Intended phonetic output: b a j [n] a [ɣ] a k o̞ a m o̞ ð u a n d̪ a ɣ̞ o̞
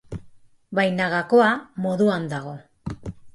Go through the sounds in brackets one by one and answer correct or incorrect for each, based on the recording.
correct, correct

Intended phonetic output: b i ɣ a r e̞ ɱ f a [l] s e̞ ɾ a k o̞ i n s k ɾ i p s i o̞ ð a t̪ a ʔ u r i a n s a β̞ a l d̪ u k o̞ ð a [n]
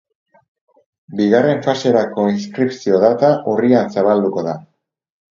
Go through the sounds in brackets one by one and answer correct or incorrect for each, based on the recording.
incorrect: none, incorrect: none

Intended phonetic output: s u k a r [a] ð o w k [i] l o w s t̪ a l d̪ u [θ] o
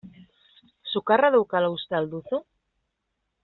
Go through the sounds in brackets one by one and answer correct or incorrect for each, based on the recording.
correct, incorrect: a, correct

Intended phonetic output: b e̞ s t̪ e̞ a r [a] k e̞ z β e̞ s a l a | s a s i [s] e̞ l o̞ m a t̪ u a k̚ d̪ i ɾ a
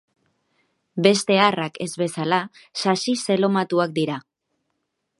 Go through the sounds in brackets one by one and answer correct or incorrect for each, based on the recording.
correct, correct

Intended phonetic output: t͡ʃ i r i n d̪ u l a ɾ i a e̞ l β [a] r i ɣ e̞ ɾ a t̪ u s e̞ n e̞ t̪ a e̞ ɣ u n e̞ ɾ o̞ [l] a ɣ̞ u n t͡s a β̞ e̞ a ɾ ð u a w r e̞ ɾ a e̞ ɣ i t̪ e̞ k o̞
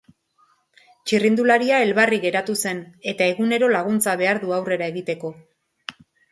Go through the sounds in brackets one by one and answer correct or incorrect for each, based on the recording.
correct, correct

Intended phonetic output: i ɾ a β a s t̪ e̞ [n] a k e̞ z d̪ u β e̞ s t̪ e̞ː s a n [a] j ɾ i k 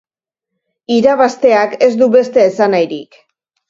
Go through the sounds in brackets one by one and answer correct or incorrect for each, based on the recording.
incorrect: none, correct

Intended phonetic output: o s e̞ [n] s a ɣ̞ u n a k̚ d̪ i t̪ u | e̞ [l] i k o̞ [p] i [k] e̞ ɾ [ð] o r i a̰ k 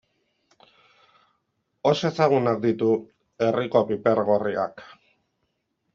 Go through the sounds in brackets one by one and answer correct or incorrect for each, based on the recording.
incorrect: none, incorrect: r, correct, incorrect: p, incorrect: ɣ

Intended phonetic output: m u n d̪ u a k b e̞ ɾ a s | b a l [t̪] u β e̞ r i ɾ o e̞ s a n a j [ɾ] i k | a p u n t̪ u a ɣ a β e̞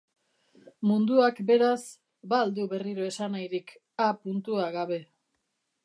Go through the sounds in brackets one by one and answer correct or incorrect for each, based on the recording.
incorrect: d̪, correct

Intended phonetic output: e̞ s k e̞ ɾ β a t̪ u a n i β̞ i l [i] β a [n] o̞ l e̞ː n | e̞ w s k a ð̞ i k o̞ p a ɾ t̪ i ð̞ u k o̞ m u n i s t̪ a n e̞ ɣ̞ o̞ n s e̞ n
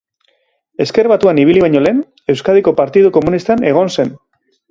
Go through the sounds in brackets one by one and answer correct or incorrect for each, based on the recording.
correct, incorrect: ɲ

